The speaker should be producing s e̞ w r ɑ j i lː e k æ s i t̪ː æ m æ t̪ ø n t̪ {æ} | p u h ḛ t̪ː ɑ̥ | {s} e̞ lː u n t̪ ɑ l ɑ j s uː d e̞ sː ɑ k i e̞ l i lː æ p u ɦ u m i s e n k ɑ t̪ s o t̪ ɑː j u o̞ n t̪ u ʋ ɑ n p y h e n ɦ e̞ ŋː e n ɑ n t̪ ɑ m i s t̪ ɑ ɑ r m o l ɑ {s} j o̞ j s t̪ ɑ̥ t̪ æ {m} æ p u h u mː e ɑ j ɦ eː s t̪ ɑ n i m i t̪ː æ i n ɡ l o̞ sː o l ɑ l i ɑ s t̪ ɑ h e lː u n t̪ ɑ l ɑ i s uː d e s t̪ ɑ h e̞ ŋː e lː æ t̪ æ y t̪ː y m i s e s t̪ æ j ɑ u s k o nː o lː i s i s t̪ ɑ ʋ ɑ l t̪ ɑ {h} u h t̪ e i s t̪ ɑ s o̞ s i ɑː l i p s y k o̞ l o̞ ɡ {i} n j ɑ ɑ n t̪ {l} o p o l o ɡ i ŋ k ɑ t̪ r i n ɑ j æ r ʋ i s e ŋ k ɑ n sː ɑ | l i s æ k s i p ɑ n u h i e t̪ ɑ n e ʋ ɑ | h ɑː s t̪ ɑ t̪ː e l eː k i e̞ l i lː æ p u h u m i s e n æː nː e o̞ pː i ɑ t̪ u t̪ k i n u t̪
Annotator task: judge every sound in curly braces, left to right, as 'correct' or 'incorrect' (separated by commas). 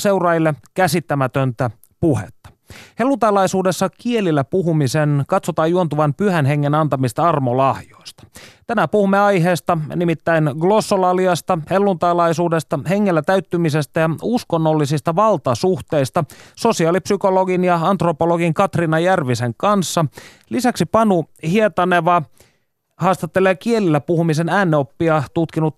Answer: correct, incorrect, incorrect, incorrect, incorrect, correct, incorrect